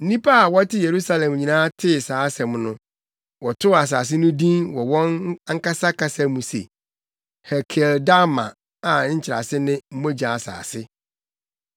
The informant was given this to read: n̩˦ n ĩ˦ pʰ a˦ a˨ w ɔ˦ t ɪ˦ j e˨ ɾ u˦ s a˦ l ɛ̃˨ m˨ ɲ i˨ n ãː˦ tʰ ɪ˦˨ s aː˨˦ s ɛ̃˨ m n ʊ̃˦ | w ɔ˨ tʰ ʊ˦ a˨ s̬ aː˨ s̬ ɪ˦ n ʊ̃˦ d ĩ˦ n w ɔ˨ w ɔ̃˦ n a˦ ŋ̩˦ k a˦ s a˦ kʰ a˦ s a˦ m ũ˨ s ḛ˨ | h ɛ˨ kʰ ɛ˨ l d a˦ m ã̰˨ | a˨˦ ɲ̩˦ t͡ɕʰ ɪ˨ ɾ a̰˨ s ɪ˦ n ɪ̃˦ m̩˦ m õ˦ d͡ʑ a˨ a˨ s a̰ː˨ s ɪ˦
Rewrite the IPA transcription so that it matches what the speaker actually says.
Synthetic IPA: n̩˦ n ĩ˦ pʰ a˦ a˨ w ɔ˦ t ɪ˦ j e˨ ɾ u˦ s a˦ l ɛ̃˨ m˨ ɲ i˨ n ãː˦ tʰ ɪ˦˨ s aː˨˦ s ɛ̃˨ m n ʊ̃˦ | w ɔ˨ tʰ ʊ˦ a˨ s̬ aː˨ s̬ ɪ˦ n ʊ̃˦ d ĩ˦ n w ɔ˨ w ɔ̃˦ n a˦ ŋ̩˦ k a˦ s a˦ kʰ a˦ s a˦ m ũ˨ s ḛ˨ | h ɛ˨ kʰ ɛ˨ l d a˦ m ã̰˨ | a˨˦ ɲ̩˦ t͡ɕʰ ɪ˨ ɾ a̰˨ s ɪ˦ n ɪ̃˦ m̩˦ m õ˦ d͡ʑ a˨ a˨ s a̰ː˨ s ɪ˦